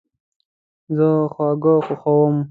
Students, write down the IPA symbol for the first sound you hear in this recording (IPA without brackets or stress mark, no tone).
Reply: z